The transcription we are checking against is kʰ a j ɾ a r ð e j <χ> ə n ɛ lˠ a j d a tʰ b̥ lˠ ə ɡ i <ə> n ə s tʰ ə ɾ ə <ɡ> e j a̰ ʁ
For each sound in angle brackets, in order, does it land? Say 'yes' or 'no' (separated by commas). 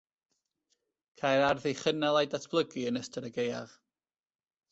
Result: yes, yes, yes